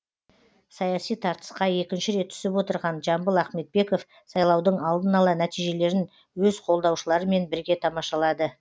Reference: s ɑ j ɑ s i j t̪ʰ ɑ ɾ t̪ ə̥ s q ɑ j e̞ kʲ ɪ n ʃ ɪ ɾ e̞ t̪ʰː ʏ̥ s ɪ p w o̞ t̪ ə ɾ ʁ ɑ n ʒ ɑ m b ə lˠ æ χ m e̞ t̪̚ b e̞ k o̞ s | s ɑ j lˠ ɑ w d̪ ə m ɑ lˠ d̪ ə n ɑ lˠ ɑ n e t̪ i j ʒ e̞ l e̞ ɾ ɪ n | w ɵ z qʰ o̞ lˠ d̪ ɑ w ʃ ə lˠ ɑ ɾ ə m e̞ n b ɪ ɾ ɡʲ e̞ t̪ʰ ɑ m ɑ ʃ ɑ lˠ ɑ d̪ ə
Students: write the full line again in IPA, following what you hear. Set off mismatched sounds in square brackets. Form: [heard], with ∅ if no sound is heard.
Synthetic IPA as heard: s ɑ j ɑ s i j t̪ʰ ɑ ɾ t̪ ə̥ s q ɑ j e̞ kʲ ɪ n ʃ ɪ ɾ e̞ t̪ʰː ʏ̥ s ɪ p w o̞ t̪ ə ɾ ʁ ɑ n ʒ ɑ m b ə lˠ æ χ m e̞ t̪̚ b e̞ k o̞ [f] | s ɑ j lˠ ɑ w d̪ ə [ɴ] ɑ lˠ d̪ ə n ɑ lˠ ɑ n [æ] t̪ i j ʒ e̞ l e̞ ɾ ɪ n | w ɵ z qʰ o̞ lˠ d̪ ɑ w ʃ ə lˠ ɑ ɾ ə m e̞ n b ɪ ɾ ɡʲ e̞ t̪ʰ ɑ m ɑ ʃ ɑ lˠ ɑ d̪ ə